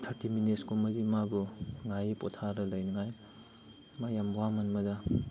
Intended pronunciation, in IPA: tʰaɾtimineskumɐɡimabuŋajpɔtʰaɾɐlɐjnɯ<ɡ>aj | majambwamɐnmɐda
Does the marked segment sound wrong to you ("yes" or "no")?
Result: yes